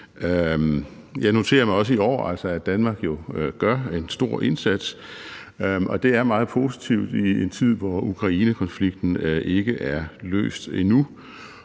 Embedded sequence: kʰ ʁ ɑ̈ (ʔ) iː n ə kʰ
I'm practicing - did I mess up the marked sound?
yes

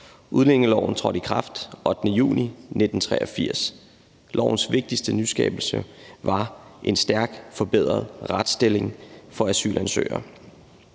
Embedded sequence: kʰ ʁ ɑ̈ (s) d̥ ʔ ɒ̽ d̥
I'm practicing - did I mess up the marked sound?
yes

